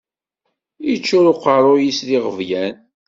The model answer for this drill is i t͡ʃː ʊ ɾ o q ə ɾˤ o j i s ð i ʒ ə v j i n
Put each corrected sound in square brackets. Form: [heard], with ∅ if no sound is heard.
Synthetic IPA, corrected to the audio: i t͡ʃː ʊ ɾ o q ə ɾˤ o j i s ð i [ʁ] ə v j [æ] n